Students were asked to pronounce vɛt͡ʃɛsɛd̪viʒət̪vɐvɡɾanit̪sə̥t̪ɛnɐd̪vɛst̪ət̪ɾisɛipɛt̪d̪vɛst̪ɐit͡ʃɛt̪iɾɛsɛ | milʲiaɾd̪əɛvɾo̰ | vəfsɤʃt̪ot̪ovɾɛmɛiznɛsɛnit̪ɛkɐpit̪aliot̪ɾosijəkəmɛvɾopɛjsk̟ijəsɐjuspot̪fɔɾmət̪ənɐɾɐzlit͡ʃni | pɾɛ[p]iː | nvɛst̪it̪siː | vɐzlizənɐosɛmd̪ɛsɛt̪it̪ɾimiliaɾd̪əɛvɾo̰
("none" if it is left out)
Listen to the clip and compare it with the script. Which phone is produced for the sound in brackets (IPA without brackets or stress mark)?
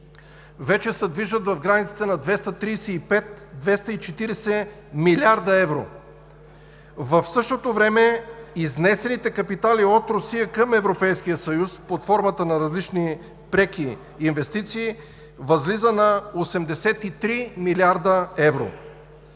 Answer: k